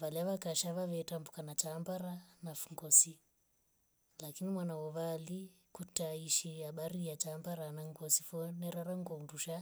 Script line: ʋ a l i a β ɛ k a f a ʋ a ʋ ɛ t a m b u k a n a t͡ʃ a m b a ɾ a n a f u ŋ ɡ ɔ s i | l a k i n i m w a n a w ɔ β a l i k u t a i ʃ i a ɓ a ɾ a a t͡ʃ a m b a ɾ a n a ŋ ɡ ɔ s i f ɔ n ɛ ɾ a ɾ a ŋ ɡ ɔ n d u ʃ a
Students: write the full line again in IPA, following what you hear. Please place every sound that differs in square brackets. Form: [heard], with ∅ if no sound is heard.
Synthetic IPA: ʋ a l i a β [a] k a [ʃ] a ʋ a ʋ ɛ t a m b u k a n a t͡ʃ a m b a ɾ a n a f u ŋ ɡ ɔ s i | l a k i n i m w a n a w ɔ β a l i k u t a i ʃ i a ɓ a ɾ [i] a t͡ʃ a m b a ɾ a n a ŋ ɡ ɔ s i f ɔ n ɛ ɾ a ɾ a ŋ ɡ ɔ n d u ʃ a